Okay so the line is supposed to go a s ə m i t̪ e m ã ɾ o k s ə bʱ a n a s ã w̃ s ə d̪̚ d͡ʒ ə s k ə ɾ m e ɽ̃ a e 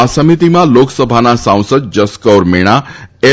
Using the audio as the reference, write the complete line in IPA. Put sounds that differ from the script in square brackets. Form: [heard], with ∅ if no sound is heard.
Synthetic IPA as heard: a s ə m i t̪ [i] m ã [l] o k s ə bʱ a n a s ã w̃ s ə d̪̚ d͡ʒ ə s k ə ɾ m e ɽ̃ a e